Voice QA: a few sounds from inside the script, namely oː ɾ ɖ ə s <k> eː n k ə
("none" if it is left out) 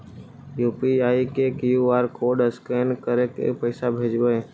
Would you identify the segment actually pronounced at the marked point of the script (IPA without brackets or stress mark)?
k